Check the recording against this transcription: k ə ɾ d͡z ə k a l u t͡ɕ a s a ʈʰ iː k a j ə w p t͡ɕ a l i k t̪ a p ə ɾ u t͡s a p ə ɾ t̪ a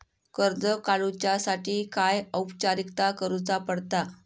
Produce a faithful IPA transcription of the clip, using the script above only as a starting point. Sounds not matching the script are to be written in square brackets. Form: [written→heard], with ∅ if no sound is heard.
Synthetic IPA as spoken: k ə ɾ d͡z ə k a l u t͡ɕ a s a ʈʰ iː k a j ə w p t͡ɕ a [l→ɾ] i k t̪ a [p→k] ə ɾ u t͡s a p ə [ɾ→ɽ] t̪ a

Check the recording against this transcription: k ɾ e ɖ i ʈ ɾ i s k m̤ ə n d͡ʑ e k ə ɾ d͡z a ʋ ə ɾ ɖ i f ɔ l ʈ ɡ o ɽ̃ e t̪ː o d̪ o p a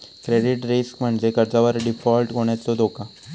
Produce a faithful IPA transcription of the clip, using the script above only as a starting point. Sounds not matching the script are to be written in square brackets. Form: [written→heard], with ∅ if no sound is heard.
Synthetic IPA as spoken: k ɾ e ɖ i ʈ ɾ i s k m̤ ə [n→ɳ] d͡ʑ e k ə ɾ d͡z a ʋ ə ɾ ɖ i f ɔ l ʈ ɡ o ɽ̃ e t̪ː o d̪ o [p→k] a

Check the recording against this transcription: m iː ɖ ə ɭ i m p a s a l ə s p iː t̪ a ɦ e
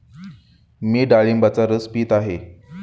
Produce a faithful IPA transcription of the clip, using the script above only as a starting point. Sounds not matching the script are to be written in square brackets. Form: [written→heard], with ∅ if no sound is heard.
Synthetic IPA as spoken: m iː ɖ [ə→a] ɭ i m [p→b] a [s→t͡s] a [l→ɾ] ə s p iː t̪ a ɦ e

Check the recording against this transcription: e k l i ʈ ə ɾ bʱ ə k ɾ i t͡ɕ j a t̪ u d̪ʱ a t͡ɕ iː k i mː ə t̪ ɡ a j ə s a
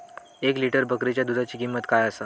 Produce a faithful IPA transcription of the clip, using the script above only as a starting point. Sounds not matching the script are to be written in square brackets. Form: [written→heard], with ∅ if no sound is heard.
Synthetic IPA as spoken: e k l i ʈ ə ɾ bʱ ə k ɾ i t͡ɕ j a [t̪→d̪] u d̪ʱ a t͡ɕ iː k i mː ə t̪ [ɡ→k] a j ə s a

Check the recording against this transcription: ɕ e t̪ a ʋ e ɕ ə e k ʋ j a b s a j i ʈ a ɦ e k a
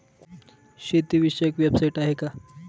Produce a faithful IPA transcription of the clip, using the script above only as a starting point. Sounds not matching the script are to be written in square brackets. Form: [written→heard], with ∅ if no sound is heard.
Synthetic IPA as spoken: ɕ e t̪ [a→i] ʋ [e→i] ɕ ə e k ʋ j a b s a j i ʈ a ɦ e k a

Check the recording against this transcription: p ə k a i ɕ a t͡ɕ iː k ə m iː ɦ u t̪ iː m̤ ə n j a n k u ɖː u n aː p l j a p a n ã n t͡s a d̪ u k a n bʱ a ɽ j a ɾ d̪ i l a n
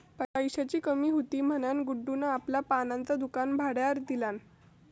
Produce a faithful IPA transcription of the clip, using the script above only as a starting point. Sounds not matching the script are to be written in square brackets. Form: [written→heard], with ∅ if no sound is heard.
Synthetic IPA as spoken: p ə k a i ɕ a t͡ɕ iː k ə m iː ɦ u t̪ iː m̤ ə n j a n [k→ɡ] u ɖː u n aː p l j a p a n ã n t͡s a d̪ u k a n bʱ a ɽ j a ɾ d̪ i l a n

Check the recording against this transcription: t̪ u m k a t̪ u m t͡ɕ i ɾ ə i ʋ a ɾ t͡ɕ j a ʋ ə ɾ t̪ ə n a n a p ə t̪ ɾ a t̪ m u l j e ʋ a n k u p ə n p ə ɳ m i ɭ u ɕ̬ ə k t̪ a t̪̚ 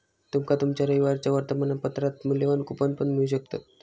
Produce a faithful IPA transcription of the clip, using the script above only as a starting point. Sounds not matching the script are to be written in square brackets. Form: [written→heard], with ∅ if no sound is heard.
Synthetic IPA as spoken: t̪ u m k a t̪ u m t͡ɕ [i→a] ɾ ə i ʋ a ɾ t͡ɕ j a ʋ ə ɾ t̪ ə [n→m] a n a p ə t̪ ɾ a t̪ m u l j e ʋ a n k u p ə n p ə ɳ m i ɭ u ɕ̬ ə k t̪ a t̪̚

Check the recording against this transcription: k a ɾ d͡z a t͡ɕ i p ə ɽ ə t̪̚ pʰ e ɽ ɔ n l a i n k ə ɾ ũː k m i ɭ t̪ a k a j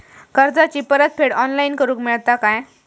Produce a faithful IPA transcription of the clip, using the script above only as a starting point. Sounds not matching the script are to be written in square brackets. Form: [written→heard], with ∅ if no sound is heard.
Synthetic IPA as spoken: k [a→ə] ɾ d͡z a t͡ɕ i p ə [ɽ→ɾ] ə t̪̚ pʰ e ɽ ɔ n l a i n k ə ɾ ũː k m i ɭ t̪ a k a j

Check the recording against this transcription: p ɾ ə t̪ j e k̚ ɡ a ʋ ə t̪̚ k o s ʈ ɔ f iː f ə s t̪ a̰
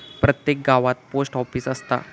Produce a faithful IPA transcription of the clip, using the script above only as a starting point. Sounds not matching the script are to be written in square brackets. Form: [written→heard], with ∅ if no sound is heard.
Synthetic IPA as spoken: p ɾ ə t̪ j e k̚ ɡ a ʋ [ə→a] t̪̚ [k→p] o s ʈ ɔ f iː [f→s] ə s t̪ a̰

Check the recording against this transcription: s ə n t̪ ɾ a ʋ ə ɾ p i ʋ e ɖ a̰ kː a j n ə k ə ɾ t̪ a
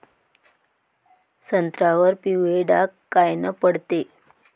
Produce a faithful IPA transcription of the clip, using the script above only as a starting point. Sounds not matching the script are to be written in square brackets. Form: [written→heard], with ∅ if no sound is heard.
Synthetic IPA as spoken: s ə n t̪ ɾ a ʋ ə ɾ p i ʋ e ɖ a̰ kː a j n ə [k→p] ə [ɾ→ɽ] t̪ [a→e]

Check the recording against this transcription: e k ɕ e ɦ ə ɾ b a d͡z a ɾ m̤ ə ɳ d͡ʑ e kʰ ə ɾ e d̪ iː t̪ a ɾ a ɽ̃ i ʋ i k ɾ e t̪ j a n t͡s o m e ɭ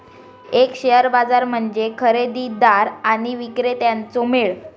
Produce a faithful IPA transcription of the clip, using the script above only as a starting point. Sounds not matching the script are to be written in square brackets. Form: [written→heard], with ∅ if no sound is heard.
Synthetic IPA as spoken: e k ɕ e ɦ ə ɾ b a d͡z a ɾ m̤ ə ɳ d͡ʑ e kʰ ə ɾ e d̪ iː [t̪→d̪] a ɾ a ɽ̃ i ʋ i k ɾ e t̪ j a n t͡s o m e ɭ

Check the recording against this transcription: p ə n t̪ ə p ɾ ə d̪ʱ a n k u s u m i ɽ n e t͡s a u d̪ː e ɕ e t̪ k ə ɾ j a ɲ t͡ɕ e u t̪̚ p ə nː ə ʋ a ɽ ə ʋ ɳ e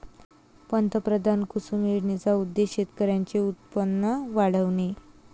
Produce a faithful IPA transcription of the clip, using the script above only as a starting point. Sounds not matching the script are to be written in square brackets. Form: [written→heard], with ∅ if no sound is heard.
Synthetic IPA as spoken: p ə n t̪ ə p ɾ ə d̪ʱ a n k u s u m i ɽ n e t͡s a u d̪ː e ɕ e t̪ k ə ɾ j a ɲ t͡ɕ e u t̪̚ p ə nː ə ʋ a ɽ ə ʋ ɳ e

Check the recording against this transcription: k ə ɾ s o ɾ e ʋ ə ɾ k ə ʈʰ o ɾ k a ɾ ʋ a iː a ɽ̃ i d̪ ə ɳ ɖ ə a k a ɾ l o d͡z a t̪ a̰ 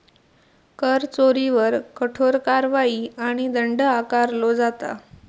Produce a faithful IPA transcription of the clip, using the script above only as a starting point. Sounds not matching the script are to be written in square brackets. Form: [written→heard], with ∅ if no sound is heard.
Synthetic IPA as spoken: k ə ɾ [s→t͡s] o ɾ [e→i] ʋ ə ɾ k ə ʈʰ o ɾ k a ɾ ʋ a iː a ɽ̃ i d̪ ə ɳ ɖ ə a k a ɾ l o d͡z a t̪ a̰

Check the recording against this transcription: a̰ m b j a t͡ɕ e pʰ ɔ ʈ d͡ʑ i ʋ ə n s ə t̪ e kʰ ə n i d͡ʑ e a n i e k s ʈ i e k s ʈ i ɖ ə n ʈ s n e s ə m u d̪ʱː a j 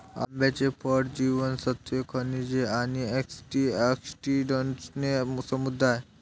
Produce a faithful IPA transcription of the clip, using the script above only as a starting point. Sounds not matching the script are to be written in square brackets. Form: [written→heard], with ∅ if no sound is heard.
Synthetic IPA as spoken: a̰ m b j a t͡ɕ e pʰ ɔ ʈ d͡ʑ i ʋ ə n s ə t̪ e kʰ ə n i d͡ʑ e a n i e k s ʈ i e k s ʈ i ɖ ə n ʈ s n e s ə m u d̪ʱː a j

